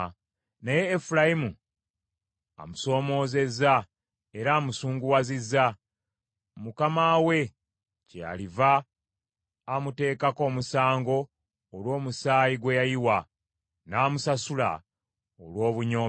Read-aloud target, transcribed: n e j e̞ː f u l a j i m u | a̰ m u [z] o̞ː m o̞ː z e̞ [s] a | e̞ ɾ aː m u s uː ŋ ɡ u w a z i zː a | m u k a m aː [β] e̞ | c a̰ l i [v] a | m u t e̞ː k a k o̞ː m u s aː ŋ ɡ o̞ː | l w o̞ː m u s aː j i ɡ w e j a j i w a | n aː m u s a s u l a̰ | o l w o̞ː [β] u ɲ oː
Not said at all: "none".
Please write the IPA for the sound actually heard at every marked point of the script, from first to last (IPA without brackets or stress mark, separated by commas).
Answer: s, z, w, v, β